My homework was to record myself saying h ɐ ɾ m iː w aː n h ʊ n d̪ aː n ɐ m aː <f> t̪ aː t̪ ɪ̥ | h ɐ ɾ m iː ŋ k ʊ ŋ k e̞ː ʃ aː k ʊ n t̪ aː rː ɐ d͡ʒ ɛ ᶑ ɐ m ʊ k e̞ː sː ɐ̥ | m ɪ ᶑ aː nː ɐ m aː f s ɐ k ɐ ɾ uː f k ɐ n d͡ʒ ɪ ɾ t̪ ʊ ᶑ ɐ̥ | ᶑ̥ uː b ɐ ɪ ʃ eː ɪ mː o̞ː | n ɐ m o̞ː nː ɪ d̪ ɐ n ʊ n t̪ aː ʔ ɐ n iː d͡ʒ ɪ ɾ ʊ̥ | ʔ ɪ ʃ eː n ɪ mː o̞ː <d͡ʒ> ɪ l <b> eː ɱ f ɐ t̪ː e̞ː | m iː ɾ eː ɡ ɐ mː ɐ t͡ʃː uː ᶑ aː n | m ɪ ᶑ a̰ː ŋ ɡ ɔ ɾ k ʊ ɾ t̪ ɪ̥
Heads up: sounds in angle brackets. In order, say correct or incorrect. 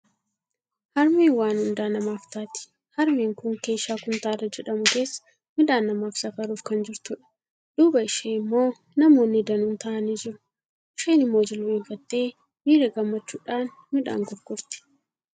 correct, correct, incorrect: w

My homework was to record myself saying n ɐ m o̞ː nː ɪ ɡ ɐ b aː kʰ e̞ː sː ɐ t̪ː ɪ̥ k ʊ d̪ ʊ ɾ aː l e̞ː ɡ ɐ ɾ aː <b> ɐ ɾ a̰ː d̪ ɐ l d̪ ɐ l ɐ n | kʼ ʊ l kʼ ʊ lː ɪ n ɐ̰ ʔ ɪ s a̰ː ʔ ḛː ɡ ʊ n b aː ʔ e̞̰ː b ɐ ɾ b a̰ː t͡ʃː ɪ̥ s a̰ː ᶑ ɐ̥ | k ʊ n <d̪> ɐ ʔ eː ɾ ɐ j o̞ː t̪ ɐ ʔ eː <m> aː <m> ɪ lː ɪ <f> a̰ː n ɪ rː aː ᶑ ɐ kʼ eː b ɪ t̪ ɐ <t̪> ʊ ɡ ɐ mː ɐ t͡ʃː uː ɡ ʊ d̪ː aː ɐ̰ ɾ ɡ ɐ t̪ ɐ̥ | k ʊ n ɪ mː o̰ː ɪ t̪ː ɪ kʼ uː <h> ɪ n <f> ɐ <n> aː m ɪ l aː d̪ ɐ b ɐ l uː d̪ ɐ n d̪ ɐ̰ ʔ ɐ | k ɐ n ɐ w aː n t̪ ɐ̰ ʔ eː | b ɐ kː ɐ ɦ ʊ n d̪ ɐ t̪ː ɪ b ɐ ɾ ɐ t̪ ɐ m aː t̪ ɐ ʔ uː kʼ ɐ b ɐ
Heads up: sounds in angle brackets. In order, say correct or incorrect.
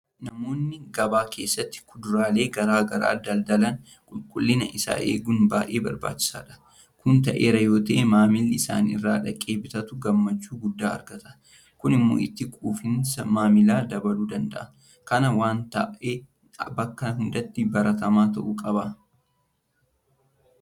incorrect: ɡ, incorrect: t̪, correct, correct, incorrect: s, correct, incorrect: f, incorrect: s, incorrect: m

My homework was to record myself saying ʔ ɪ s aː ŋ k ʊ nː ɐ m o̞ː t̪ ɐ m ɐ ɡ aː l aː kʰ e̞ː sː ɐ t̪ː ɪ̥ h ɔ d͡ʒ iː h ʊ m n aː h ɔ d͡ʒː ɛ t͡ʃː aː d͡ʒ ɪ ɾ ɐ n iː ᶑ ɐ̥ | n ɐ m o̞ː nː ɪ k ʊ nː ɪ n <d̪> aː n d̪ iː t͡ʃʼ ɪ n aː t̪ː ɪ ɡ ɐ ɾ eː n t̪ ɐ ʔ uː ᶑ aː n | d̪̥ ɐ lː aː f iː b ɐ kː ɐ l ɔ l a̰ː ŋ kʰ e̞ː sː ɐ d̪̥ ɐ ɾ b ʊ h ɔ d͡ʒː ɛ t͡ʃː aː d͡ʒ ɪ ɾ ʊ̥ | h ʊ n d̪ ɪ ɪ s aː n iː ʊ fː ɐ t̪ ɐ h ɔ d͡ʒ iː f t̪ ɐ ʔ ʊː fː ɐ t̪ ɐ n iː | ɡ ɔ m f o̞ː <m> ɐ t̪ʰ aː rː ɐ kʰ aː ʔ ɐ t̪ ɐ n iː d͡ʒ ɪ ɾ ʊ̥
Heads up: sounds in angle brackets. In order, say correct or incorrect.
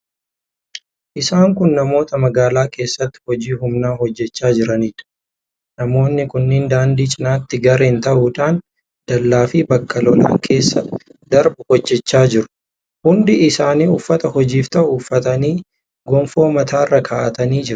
correct, correct

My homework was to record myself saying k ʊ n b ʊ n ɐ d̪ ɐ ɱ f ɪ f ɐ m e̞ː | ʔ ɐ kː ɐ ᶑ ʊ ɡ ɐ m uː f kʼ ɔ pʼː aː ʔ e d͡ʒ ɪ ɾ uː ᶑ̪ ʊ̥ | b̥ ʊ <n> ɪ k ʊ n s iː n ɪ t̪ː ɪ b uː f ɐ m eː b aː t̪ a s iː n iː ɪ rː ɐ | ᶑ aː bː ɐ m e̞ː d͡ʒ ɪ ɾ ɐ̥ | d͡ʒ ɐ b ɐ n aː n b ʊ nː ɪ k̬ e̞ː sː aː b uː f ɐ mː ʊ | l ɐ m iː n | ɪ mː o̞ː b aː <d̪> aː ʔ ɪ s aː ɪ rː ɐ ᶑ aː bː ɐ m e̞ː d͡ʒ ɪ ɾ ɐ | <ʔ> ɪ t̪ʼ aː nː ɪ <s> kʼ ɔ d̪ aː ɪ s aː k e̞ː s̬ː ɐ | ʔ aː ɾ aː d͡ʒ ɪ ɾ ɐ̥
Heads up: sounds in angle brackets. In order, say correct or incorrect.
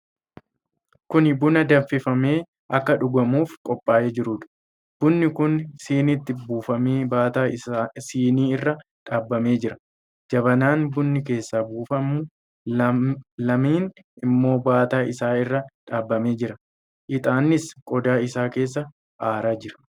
incorrect: nː, incorrect: t̪, correct, correct

